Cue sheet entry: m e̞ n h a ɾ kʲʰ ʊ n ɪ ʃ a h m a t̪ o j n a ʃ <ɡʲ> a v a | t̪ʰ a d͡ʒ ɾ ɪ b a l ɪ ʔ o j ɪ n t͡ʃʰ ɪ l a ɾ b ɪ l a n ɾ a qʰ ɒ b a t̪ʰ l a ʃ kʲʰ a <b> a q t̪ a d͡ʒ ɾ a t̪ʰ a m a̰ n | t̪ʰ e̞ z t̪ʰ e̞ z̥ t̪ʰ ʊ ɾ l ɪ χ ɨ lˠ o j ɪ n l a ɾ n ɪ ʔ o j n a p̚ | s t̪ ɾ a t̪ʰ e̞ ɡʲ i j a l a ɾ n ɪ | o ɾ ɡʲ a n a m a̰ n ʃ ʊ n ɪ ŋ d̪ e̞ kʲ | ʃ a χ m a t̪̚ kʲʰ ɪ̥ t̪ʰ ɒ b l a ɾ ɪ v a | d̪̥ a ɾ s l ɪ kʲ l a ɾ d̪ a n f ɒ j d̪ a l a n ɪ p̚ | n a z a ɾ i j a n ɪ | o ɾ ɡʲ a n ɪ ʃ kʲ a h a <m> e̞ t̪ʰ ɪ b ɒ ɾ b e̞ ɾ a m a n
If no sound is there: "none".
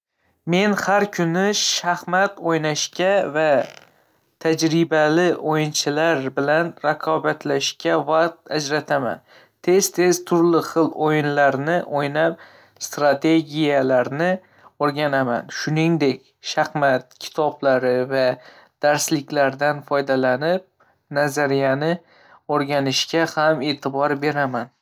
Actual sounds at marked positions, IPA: kʲ, v, m

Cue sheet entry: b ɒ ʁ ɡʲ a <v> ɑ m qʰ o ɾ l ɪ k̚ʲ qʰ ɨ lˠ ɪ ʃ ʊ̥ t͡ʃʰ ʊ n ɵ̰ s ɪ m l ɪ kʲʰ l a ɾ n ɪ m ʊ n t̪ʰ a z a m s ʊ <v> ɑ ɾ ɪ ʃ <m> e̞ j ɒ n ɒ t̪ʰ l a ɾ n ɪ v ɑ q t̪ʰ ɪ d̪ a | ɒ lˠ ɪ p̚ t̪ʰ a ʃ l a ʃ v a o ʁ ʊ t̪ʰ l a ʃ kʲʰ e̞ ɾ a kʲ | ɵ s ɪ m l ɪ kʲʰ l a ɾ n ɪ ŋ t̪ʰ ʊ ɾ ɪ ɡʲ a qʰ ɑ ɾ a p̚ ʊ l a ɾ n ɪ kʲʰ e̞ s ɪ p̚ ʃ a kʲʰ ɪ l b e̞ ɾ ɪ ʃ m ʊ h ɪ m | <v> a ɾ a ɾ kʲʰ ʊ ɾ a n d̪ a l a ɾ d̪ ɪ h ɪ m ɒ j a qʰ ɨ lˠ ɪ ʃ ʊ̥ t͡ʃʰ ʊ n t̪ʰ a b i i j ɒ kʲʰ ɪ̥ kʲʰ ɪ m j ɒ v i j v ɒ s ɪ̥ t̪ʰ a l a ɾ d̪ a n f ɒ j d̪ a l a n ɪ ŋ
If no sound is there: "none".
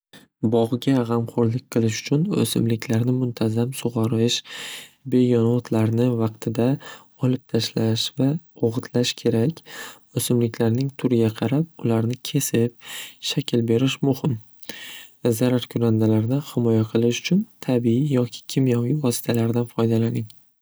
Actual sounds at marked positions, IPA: ʁ, ʁ, b, z

